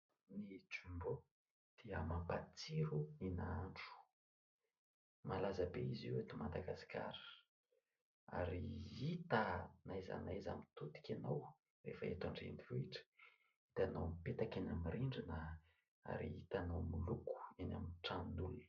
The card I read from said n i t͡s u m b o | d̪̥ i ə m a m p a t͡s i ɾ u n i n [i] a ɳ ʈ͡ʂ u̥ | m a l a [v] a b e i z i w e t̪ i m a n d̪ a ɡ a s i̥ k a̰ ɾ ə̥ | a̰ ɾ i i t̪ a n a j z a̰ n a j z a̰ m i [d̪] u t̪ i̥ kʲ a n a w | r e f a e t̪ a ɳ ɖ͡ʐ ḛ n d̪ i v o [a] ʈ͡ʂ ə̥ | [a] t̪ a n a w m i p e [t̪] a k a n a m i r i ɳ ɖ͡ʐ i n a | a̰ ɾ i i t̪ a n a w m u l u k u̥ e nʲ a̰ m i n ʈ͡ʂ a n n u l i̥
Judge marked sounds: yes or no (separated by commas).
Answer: no, no, no, no, no, yes